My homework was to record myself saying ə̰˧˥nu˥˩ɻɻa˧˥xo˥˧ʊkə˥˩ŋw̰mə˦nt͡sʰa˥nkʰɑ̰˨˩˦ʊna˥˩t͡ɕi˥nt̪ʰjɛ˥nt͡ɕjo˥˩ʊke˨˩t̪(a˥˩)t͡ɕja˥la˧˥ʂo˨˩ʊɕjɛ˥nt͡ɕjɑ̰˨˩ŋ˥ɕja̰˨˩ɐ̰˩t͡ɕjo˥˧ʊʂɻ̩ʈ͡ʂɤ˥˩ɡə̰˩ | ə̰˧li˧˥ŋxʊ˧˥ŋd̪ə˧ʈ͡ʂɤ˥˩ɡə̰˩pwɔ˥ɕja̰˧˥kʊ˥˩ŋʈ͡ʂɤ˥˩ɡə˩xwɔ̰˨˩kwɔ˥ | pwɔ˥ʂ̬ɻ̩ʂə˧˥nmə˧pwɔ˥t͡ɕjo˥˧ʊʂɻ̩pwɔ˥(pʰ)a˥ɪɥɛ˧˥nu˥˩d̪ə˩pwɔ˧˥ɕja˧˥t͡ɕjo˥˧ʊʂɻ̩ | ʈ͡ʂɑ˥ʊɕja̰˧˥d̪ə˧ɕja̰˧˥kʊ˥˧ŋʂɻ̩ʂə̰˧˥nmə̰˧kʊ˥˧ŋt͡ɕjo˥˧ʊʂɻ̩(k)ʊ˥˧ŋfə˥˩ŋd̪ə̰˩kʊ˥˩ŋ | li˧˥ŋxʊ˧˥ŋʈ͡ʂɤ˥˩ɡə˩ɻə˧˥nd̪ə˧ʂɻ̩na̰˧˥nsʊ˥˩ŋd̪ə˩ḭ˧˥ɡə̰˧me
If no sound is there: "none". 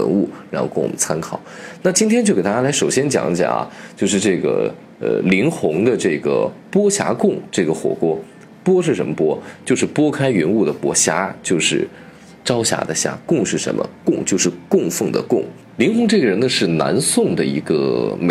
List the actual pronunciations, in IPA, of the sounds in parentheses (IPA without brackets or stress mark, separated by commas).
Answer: a˥, kʰ, k